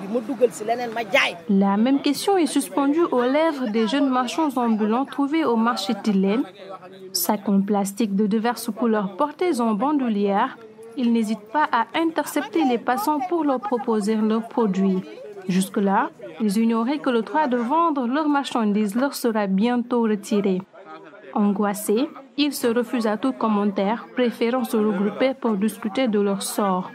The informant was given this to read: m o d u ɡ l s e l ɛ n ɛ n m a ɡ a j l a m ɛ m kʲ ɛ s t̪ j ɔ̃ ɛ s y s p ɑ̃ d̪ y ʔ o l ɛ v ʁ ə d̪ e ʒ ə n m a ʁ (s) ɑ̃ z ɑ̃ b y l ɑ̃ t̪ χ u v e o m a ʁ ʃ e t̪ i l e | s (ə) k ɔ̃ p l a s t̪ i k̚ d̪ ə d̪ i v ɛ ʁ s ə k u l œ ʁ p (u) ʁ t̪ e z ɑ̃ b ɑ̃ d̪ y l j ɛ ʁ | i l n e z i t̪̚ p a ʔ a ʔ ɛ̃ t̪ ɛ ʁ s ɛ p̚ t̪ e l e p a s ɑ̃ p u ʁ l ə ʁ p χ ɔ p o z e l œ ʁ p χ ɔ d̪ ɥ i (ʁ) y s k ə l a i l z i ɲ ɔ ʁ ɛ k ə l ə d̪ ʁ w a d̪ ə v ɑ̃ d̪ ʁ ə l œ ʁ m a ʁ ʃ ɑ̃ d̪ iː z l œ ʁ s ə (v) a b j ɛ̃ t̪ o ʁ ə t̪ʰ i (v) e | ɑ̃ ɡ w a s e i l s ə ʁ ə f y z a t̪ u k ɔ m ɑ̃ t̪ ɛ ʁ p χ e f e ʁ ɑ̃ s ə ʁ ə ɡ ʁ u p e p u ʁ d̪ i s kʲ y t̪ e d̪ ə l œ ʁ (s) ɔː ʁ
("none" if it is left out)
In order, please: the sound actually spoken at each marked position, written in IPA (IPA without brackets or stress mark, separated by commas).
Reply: ʃ, a, ɔ, ʒ, ʁ, ʁ, s